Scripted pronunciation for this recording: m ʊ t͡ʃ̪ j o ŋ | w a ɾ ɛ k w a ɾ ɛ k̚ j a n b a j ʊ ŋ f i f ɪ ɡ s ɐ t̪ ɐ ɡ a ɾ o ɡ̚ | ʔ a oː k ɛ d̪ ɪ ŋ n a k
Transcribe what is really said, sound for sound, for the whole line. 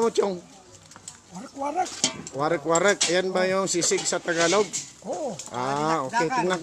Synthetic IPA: m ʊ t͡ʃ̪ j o ŋ | w a ɾ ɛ k w a ɾ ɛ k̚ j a n b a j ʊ ŋ s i s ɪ ɡ s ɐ t̪ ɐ ɡ a l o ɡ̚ | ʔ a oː k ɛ t̪ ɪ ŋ n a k